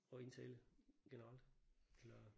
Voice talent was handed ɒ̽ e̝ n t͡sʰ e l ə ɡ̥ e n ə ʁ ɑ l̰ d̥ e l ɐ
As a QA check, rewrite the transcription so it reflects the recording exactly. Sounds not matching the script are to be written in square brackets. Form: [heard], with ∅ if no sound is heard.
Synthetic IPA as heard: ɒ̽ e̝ n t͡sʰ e l ə ɡ̥ e n ə ʁ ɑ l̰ d̥ e l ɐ

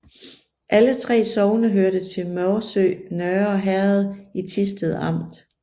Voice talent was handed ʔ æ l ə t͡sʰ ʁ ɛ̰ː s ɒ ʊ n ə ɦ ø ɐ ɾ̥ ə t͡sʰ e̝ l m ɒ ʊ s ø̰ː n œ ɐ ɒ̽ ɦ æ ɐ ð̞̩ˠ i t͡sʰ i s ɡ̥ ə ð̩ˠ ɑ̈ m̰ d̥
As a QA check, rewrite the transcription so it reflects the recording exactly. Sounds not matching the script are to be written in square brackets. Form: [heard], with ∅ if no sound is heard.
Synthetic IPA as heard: ʔ æ l ə t͡sʰ ʁ ɛ̰ː s ɒ ʊ n ə ɦ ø ɐ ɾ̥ ə t͡sʰ e̝ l m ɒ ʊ s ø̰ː n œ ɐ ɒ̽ ɦ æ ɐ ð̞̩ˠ i t͡sʰ i s [d̥] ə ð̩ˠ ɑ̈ m̰ d̥

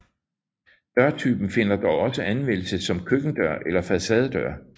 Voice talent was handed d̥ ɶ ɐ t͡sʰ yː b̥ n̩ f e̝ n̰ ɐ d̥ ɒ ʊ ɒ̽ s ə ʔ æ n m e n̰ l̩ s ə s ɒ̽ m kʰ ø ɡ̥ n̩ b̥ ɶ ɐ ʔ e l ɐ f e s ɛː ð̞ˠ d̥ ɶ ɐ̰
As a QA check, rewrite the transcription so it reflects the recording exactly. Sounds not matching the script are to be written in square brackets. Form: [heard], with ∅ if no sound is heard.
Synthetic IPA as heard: d̥ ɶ ɐ t͡sʰ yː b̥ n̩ f e̝ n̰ ɐ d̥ ɒ ʊ ɒ̽ s ə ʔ æ n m e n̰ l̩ s ə s ɒ̽ m kʰ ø ɡ̥ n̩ [d̥] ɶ ɐ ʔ e l ɐ f [æ] s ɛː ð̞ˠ d̥ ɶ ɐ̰

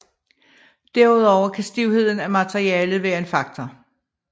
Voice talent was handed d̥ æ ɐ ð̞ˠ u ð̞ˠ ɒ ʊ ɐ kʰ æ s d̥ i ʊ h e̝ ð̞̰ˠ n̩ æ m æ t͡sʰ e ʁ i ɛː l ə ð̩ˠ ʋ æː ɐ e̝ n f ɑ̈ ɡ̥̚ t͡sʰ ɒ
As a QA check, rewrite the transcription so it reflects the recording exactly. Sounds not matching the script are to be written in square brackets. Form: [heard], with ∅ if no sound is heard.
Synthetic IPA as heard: d̥ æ ɐ [∅] u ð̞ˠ ɒ ʊ ɐ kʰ æ s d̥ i ʊ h e̝ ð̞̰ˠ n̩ æ m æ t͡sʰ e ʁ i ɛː l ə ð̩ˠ ʋ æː ɐ e̝ n f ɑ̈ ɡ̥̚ t͡sʰ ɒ

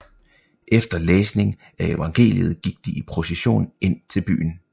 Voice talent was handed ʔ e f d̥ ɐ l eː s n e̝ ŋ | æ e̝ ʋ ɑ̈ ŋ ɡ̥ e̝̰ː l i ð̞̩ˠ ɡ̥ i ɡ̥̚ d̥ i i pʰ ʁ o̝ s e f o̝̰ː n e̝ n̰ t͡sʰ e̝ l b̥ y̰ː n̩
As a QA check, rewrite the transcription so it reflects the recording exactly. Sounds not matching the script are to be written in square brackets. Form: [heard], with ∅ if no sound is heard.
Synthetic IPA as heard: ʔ e f d̥ ɐ l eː s n e̝ ŋ | æ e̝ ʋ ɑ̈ ŋ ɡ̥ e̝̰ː l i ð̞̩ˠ ɡ̥ i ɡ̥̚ d̥ i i pʰ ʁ o̝ s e [ɕ] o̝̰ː n e̝ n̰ t͡sʰ e̝ l b̥ y̰ː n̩

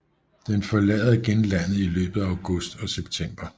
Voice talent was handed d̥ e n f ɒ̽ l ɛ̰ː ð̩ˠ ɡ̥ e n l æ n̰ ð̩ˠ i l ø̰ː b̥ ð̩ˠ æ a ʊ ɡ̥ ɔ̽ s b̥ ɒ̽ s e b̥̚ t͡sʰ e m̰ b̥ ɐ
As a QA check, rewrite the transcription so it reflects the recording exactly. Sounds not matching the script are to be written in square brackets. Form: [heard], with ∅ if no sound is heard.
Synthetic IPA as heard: d̥ e n f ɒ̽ l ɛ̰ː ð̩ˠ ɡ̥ e n l æ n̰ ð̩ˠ i l ø̰ː b̥ ð̩ˠ æ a ʊ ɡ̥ ɔ̽ s [d̥] ɒ̽ s e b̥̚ t͡sʰ e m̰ b̥ ɐ

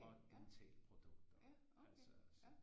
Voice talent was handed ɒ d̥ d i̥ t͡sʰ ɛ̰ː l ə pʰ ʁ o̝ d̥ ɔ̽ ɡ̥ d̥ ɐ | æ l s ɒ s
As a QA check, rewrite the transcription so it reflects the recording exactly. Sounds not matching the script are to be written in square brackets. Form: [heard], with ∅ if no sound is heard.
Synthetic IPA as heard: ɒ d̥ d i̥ t͡sʰ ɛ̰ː l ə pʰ ʁ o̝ d̥ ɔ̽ ɡ̥ d̥ ɐ | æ l s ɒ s

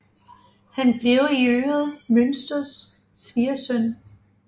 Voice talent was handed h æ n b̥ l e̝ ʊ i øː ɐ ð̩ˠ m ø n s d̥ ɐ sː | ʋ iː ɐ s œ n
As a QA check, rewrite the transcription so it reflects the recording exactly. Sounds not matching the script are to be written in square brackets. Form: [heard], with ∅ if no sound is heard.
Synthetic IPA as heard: h æ n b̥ l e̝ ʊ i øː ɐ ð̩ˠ m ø n s d̥ ɐ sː | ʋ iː ɐ s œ n

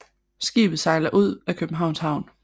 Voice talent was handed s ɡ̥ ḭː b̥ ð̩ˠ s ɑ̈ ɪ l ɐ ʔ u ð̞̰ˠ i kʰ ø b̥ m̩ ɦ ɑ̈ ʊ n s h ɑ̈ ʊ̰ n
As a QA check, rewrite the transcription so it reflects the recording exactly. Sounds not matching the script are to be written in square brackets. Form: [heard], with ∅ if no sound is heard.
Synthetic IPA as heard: s ɡ̥ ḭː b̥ ð̩ˠ s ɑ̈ ɪ l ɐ ʔ u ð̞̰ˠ [æ] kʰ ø b̥ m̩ ɦ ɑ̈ ʊ n s h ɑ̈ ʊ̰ n

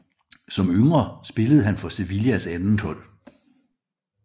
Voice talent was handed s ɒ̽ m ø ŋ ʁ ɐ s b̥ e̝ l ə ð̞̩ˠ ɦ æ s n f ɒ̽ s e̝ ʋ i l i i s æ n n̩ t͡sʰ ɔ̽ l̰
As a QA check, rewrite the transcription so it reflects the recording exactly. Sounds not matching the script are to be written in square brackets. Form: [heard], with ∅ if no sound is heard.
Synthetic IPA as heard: s ɒ̽ m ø ŋ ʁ ɐ s b̥ e̝ l ə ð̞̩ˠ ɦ æ [∅] n f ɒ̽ s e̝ ʋ i l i [æ] s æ n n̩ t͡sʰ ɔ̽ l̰

